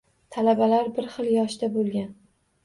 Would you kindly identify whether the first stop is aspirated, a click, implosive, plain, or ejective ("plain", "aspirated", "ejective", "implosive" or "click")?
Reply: aspirated